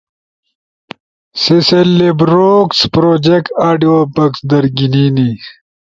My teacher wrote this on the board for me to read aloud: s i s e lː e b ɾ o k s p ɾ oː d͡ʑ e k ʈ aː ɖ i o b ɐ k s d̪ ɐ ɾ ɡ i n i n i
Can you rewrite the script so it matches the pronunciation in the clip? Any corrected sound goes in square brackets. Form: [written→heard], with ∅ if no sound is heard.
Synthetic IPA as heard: s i s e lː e b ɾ o k s p ɾ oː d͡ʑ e k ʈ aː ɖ i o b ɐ k s d̪ ɐ ɾ ɡ i n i n i